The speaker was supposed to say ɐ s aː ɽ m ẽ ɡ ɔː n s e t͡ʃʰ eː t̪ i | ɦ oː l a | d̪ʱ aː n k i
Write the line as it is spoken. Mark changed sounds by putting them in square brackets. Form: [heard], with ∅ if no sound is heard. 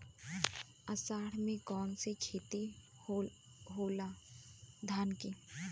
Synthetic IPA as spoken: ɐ s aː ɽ m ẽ [k] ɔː n s e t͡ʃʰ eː t̪ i | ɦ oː l a | d̪ʱ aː n k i